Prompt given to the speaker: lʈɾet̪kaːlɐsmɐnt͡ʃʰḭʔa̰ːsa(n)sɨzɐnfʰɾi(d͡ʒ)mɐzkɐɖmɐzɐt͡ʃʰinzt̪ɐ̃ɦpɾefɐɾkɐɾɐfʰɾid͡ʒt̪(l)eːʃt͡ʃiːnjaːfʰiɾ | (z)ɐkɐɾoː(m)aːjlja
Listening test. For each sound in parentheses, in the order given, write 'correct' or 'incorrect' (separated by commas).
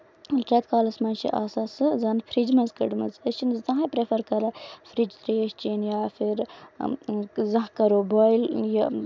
incorrect, correct, incorrect, correct, incorrect